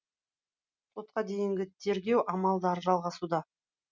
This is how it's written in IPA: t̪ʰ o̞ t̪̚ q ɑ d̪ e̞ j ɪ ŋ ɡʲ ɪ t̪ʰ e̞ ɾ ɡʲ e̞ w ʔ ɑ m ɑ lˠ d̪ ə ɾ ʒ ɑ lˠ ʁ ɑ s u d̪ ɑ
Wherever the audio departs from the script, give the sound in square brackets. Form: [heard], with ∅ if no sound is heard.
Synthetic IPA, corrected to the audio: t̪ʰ o̞ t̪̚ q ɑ d̪ e̞ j ɪ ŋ ɡʲ ɪ t̪ʰ e̞ ɾ ɡʲ e̞ w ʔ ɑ m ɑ lˠ d̪ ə ɾ ʒ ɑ lˠ ʁ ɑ s u d̪ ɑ